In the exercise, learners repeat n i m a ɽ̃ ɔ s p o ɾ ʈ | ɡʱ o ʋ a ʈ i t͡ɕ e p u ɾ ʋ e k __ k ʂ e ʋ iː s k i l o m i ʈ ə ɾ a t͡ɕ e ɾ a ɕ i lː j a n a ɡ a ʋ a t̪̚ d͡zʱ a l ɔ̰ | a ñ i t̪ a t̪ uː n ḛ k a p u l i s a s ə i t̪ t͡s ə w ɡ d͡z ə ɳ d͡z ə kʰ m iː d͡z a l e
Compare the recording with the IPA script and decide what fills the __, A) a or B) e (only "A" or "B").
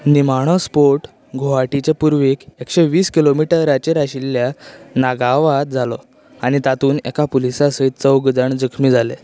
B